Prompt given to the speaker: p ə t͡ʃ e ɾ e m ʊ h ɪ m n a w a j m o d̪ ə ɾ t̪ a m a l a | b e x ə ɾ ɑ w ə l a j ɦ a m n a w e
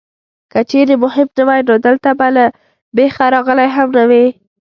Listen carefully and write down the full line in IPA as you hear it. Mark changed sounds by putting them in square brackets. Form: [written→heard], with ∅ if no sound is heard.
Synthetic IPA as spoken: [p→k] ə t͡ʃ e ɾ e m ʊ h ɪ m n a w a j [m→n] o d̪ ə [ɾ→l] t̪ a [m→b] a l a | b e x [ə→a] ɾ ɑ [w→ɣ] ə l a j ɦ a m n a w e